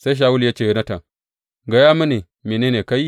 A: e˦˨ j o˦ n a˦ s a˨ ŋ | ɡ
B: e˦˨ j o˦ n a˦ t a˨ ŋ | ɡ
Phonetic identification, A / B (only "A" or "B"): B